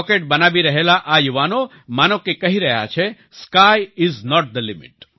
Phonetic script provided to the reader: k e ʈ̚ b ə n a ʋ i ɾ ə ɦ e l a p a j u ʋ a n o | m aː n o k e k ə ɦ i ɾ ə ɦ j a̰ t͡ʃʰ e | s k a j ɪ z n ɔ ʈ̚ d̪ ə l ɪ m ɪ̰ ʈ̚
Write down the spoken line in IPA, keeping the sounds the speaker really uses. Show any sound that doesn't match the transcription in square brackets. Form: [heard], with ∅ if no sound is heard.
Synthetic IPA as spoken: k e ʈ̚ b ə n a ʋ i ɾ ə ɦ e l a [ʔ] a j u ʋ a n o | m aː n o k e k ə ɦ i ɾ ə ɦ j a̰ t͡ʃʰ e | s k a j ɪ z n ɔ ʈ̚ d̪ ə l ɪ m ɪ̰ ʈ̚